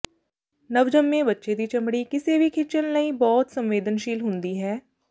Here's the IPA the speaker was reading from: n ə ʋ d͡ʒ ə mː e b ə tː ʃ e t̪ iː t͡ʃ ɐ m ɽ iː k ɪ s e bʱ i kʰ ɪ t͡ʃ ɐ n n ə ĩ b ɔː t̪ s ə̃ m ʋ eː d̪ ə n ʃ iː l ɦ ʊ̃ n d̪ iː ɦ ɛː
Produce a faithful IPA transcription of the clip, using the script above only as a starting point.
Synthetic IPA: n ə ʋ d͡ʒ ə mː ẽ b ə tː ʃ e d̪ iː t͡ʃ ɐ m ɽ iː k ɪ s e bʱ i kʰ ɪ t͡ʃ ə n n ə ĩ b ɔː t̪ s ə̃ m ʋ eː d̪ ə n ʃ iː l ɦ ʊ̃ n d̪ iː ɦ ɛː